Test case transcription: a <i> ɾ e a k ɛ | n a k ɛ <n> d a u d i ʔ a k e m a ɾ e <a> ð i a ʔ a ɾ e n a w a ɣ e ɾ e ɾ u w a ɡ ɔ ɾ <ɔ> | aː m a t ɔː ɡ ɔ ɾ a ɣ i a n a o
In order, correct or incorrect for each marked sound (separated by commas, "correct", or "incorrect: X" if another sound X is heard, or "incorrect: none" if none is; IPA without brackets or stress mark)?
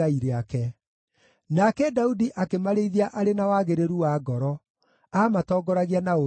correct, incorrect: none, incorrect: i, correct